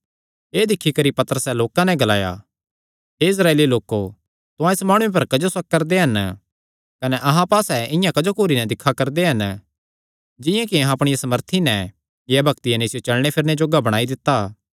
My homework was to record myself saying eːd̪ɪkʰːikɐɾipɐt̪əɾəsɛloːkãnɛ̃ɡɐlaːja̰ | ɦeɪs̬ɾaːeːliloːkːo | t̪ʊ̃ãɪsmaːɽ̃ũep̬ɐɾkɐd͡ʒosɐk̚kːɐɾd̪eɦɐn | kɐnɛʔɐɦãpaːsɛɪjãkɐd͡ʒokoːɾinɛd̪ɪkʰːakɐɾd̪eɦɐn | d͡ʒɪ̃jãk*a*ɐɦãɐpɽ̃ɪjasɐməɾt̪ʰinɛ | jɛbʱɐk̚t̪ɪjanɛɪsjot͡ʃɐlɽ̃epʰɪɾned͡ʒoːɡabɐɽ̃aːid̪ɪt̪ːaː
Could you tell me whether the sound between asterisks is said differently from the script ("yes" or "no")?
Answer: yes